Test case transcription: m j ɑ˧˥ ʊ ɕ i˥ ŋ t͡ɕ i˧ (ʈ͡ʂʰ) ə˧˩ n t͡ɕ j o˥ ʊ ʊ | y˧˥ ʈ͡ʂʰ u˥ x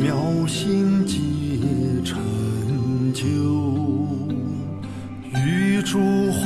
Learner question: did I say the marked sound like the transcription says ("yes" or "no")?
yes